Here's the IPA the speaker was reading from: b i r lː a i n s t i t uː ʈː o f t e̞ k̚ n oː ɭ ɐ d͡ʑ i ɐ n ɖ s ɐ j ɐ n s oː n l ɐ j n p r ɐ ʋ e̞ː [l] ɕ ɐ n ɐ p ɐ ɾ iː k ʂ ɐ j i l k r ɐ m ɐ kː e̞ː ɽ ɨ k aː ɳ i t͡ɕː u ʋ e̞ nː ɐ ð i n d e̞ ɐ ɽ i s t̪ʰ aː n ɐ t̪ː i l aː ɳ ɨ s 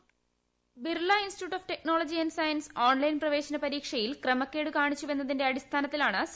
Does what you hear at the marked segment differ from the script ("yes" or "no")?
yes